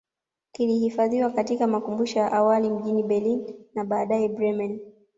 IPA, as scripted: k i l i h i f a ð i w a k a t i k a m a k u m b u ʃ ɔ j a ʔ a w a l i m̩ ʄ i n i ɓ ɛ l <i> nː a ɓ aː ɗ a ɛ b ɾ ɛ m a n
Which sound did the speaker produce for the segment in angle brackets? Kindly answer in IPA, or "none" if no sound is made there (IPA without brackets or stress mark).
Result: i